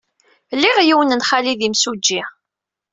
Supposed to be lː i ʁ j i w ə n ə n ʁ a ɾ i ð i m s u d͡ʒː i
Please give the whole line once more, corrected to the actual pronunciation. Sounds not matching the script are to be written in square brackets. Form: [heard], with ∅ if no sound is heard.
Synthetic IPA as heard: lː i ʁ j i w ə n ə n [χ] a [l] i ð i m s u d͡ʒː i